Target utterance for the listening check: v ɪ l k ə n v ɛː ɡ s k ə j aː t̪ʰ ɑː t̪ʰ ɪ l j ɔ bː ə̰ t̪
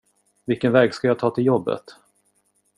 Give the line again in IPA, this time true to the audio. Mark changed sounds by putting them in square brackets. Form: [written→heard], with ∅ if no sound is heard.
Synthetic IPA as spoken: v ɪ l k ə n v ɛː ɡ s k [ə→a] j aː t̪ʰ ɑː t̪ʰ ɪ l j ɔ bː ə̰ t̪